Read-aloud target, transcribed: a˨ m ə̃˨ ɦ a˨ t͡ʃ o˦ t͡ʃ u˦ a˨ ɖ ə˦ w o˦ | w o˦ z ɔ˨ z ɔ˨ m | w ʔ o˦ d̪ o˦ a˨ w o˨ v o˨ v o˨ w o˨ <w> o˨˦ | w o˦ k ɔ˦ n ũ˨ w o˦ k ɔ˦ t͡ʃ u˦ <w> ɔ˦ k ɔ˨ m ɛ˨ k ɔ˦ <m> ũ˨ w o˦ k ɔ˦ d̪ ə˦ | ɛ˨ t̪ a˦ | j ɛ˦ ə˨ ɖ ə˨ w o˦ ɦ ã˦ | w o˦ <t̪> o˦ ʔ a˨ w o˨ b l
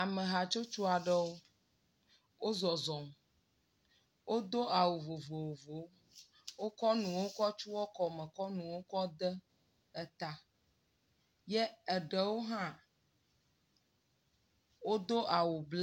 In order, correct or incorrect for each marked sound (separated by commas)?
incorrect, correct, incorrect, incorrect